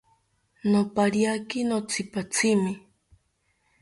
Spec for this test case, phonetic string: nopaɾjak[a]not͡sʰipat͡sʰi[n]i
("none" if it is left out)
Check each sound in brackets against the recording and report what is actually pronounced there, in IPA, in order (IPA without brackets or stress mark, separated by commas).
i, m